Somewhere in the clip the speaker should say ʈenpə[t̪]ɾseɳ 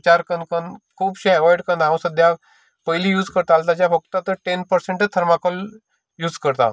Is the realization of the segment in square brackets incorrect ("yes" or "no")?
yes